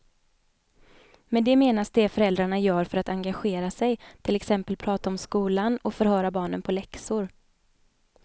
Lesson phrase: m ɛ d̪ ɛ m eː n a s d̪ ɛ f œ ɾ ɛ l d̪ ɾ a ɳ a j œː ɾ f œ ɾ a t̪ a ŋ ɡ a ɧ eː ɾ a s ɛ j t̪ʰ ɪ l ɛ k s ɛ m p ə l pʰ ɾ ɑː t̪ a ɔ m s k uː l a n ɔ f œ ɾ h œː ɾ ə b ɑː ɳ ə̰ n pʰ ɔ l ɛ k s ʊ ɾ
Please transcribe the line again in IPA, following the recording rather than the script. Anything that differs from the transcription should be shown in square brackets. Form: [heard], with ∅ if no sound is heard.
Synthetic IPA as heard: m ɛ d̪ ɛ m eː n a s d̪ ɛ f œ ɾ ɛ l d̪ ɾ a ɳ a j œː ɾ f œ ɾ a t̪ a ŋ ɡ a ɧ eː ɾ a s ɛ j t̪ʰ ɪ l ɛ k s ɛ m p ə l pʰ ɾ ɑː t̪ a ɔ m s k uː l a n ɔ f œ ɾ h œː ɾ [a] b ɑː ɳ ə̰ n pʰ ɔ l ɛ k s ʊ ɾ